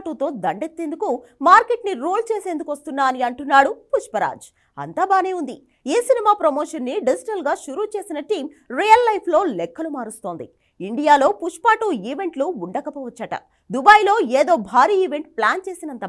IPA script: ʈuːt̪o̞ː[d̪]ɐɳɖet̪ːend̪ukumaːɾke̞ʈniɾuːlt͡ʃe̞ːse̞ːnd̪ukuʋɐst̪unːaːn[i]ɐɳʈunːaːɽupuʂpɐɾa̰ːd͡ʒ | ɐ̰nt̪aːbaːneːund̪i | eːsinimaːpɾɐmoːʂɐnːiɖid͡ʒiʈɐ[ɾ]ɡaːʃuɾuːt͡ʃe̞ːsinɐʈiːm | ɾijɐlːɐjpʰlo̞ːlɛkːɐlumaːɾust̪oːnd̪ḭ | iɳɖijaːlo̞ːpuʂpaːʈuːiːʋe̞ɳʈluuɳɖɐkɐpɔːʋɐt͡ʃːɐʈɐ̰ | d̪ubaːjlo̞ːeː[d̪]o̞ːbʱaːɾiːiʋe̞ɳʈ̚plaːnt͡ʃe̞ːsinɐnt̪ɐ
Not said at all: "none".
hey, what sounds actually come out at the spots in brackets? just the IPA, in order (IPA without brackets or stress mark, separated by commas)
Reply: d̪, i, l, d̪